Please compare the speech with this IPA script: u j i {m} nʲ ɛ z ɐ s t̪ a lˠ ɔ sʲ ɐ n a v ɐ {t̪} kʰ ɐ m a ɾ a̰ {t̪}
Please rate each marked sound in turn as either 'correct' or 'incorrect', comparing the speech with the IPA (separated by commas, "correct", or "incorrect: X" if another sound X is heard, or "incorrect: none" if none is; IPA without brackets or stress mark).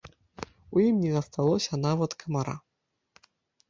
correct, correct, incorrect: none